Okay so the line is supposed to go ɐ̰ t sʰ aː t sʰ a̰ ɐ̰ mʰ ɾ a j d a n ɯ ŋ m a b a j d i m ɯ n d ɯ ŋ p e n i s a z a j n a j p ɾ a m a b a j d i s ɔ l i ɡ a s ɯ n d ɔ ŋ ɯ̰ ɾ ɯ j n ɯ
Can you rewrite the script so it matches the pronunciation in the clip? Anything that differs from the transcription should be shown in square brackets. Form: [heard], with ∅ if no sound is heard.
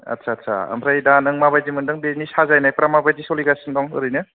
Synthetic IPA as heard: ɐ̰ t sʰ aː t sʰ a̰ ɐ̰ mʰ ɾ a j d a n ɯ ŋ m a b a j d i m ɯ n d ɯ ŋ [b] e n i s a z a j n a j p ɾ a m a b a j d i s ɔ l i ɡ a s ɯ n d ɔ ŋ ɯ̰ ɾ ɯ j n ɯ